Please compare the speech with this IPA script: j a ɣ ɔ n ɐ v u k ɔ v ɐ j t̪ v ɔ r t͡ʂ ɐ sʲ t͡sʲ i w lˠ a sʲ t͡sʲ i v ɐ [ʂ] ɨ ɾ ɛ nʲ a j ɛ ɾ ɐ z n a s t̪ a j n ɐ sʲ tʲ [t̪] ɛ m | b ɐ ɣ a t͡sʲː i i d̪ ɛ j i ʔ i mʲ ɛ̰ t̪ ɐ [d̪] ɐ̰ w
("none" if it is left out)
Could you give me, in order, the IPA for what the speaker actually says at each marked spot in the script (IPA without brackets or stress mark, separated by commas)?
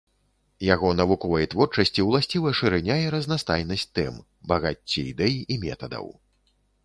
ʂ, t̪, d̪